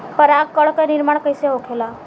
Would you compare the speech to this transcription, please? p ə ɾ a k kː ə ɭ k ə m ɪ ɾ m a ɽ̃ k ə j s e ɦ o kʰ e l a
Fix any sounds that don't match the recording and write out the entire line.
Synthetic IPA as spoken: p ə ɾ a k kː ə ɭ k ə n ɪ ɾ m a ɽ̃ k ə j s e ɦ o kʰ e l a